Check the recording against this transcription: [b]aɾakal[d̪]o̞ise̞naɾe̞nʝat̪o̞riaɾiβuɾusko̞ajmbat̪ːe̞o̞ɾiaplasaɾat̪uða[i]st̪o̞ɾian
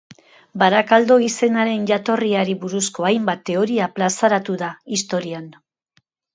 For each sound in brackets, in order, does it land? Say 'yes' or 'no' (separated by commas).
yes, yes, yes